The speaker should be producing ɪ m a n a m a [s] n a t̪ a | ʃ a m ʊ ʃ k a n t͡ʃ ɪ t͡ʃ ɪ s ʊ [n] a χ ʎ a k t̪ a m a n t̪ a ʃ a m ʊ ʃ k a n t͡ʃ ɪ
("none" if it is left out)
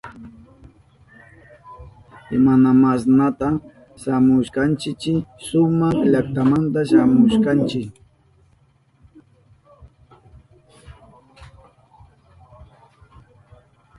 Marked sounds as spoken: s, m

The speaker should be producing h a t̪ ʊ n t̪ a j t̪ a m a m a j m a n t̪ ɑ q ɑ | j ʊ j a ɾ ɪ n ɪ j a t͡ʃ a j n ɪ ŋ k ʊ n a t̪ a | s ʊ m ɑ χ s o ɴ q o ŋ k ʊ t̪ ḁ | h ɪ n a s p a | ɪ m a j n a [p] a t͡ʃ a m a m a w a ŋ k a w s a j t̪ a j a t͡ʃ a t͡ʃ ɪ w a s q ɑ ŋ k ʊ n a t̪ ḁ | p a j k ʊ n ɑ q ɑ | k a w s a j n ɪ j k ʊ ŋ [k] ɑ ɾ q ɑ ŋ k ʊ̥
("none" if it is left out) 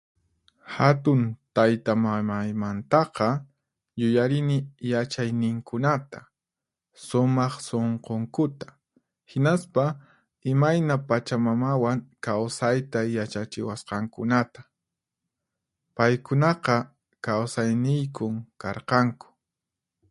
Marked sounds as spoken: p, k

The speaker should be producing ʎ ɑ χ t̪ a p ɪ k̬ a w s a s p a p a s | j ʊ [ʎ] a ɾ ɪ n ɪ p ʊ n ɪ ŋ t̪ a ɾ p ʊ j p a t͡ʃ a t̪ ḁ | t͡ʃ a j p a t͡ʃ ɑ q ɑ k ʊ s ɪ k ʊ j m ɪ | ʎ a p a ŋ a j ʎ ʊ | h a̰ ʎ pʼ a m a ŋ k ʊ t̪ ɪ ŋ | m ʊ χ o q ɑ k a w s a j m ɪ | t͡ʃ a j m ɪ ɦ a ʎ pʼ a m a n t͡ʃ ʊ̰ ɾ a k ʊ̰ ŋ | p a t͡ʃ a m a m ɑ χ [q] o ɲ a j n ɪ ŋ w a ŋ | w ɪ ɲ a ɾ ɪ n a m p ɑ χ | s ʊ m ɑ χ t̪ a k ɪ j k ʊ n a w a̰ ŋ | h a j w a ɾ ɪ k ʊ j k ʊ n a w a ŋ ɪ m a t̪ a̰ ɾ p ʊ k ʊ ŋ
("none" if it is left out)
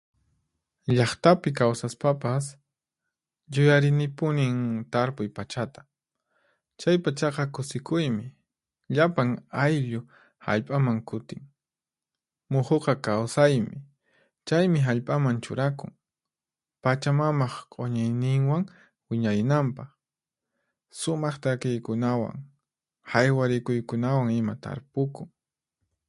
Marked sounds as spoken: j, qʼ

